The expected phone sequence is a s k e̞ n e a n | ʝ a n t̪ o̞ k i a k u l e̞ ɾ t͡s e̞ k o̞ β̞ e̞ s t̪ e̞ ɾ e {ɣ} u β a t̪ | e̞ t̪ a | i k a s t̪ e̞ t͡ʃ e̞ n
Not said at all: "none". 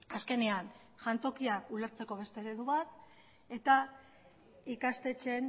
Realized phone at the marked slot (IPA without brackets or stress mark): ð